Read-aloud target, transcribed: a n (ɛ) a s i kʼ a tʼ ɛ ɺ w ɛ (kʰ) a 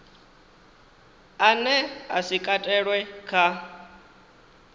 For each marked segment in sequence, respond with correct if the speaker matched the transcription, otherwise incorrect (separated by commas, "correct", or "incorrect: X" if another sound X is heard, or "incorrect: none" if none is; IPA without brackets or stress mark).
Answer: correct, correct